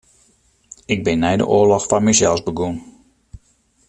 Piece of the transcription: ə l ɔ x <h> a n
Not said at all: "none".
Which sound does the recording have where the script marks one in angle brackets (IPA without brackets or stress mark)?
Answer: f